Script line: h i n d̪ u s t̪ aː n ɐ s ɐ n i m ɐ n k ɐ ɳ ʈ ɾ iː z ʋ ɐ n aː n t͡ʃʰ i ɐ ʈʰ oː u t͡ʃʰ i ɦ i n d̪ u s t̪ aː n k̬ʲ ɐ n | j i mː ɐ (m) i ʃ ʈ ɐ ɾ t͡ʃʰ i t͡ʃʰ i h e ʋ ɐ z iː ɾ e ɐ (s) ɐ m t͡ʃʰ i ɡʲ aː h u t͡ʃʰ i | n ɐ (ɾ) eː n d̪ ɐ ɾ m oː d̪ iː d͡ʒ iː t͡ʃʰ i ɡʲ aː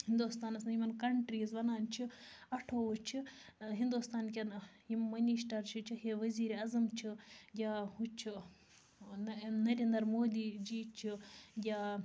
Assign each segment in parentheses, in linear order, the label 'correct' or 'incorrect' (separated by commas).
incorrect, incorrect, correct